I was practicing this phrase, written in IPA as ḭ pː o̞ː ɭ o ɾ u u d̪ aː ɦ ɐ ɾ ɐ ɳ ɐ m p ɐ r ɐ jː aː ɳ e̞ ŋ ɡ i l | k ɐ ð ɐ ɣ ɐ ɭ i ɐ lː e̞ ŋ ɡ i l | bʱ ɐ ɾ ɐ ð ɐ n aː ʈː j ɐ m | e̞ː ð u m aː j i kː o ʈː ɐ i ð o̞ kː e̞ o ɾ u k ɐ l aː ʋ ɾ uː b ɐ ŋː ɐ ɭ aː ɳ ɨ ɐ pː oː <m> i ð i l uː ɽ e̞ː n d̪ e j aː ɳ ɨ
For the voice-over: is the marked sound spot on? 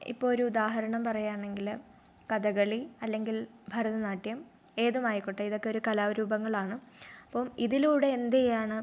yes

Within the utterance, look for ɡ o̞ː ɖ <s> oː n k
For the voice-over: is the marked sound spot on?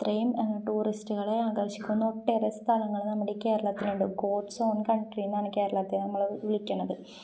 yes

